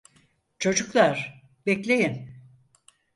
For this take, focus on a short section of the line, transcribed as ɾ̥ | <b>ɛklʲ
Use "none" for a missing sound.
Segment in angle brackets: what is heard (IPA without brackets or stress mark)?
b